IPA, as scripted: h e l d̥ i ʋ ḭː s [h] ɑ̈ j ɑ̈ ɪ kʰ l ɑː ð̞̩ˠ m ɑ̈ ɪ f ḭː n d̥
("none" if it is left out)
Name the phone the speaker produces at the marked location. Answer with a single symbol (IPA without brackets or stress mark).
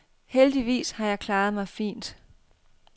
h